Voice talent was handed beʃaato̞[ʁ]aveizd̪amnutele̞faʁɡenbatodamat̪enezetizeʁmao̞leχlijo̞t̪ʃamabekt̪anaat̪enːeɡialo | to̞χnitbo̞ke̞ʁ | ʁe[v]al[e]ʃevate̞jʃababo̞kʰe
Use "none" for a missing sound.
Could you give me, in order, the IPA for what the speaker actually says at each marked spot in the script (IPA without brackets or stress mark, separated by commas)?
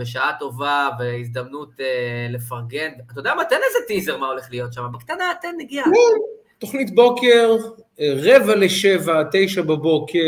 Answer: v, v, e